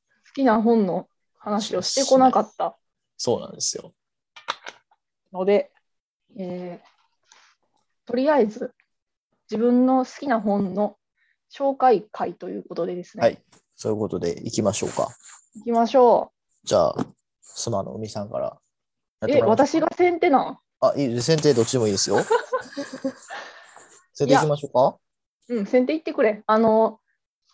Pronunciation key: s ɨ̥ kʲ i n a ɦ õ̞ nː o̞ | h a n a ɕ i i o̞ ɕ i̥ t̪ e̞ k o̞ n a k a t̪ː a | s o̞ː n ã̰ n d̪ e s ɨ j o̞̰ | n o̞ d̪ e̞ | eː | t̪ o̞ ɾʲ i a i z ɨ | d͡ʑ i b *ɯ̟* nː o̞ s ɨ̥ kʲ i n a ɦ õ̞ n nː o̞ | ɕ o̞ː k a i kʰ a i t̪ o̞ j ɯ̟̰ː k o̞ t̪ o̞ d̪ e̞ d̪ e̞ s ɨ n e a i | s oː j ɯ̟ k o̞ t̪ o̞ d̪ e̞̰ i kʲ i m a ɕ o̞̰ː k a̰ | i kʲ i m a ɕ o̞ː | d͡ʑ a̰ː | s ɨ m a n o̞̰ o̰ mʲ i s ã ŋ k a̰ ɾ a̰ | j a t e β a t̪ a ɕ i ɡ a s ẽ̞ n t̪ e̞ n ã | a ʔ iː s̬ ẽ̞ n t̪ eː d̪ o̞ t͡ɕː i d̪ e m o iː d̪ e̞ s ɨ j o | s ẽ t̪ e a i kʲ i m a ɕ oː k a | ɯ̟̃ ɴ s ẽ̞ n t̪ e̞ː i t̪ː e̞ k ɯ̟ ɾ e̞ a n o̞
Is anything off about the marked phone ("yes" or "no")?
yes